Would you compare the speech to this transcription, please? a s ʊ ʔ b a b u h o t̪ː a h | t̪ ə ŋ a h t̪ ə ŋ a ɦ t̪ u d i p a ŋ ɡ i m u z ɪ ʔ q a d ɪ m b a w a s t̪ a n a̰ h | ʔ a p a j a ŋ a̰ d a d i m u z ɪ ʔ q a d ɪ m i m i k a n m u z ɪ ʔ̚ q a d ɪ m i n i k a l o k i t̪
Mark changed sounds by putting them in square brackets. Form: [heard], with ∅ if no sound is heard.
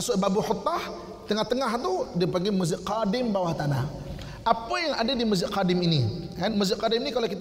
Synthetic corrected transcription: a s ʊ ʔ b a b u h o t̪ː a h | t̪ ə ŋ a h t̪ ə ŋ a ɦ t̪ u d i p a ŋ ɡ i m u z ɪ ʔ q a d ɪ m b a w a [h] t̪ a n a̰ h | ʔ a p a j a ŋ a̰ d a d i m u z ɪ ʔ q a d ɪ m i [n] i k a n m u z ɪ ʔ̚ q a d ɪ m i n i k a l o k i t̪